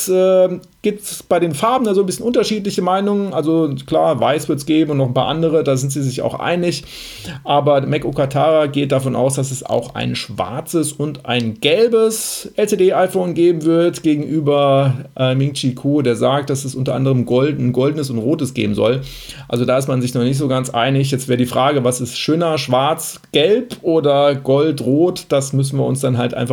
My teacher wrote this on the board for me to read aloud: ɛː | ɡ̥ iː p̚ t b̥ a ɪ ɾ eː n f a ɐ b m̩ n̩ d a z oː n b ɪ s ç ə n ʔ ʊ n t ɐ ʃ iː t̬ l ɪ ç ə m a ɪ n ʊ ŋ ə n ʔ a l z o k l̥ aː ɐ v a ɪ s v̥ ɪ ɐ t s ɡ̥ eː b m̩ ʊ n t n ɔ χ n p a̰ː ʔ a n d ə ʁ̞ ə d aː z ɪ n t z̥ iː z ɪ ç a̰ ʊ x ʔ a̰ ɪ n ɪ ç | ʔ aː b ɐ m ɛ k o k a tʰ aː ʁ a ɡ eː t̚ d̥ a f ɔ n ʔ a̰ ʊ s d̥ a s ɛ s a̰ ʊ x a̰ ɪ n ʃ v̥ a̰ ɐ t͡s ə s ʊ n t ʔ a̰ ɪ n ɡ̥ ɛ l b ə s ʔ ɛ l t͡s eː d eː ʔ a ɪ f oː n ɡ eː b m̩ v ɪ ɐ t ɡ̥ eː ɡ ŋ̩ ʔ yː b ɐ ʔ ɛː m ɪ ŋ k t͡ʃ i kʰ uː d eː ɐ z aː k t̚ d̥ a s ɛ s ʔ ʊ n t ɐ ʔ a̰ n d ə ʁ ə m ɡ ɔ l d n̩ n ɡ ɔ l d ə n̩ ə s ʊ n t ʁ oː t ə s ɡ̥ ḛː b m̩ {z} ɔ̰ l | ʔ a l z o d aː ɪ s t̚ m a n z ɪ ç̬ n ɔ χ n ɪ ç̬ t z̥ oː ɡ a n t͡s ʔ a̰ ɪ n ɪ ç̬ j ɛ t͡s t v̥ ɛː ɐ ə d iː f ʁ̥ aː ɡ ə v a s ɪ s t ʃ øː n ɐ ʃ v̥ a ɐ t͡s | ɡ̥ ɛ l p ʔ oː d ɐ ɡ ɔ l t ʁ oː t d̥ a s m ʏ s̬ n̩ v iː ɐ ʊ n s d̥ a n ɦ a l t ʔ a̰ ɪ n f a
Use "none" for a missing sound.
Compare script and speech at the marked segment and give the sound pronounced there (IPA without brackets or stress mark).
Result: z